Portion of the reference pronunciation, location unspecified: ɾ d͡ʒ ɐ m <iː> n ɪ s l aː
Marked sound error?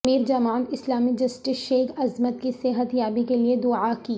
yes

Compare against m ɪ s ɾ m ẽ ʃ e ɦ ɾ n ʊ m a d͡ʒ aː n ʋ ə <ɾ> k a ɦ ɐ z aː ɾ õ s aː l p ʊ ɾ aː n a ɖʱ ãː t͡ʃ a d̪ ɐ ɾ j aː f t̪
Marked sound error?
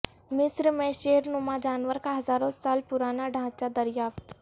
no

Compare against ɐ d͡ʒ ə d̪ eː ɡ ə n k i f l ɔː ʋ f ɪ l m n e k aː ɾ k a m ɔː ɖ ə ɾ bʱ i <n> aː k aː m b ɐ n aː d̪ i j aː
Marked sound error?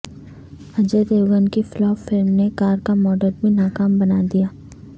no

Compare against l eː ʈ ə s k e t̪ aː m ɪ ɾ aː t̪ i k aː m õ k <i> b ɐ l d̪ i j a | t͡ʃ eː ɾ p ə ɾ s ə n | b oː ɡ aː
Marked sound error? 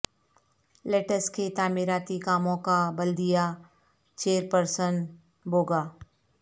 yes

